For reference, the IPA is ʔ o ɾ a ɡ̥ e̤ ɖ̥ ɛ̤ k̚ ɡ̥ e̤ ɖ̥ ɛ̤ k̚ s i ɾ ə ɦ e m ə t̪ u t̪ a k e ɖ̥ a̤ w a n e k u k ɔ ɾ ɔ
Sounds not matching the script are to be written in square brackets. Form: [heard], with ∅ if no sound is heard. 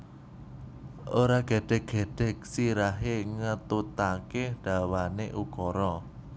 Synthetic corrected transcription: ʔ o ɾ a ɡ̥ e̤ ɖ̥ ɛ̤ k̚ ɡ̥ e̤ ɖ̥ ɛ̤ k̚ s i ɾ [a] ɦ e [ŋ] ə t̪ u t̪ a k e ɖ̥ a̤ w a n e [ʔ] u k ɔ ɾ ɔ